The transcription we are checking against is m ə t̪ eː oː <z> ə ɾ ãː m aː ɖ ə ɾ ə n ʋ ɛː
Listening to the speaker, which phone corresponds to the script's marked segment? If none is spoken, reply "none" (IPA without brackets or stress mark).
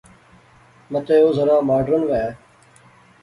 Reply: z